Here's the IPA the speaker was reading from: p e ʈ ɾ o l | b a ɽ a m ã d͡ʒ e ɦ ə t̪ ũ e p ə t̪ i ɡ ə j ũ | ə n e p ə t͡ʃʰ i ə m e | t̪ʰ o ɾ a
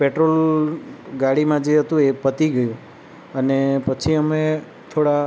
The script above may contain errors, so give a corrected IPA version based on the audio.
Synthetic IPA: p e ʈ ɾ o l | ɡ a ɽ i m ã d͡ʒ e ɦ ə t̪ ũ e p ə t̪ i ɡ ə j ũ | ə n e p ə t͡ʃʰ i ə m e | t̪ʰ o ɽ a